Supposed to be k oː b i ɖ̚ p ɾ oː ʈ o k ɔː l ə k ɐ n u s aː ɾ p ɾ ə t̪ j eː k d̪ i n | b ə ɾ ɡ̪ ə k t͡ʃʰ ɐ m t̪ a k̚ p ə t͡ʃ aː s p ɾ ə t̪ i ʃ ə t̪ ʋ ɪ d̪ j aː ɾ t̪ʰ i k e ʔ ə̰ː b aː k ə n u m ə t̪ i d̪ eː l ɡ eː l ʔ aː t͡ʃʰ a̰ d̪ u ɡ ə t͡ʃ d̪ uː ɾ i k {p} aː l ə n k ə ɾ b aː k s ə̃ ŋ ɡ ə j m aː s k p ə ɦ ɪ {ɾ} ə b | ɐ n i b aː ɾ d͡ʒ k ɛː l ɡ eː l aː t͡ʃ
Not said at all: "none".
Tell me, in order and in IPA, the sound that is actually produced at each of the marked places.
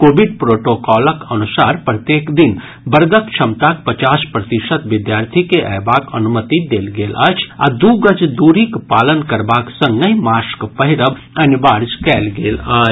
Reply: p, ɾ

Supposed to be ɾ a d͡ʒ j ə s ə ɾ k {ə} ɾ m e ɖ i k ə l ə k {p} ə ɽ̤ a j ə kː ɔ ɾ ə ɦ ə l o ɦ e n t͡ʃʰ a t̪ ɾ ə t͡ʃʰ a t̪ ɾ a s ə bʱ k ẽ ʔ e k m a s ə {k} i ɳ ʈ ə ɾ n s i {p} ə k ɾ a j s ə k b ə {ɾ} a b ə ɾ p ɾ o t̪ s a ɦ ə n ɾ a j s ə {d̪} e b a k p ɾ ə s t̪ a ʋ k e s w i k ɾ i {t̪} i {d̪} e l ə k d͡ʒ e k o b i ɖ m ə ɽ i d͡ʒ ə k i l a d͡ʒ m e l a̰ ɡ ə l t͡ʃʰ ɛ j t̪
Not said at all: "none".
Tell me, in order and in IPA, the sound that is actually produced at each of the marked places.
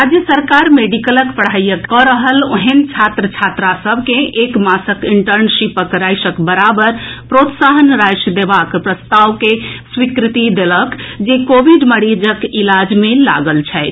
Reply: a, p, k, p, ɾ, d̪, t̪, d̪

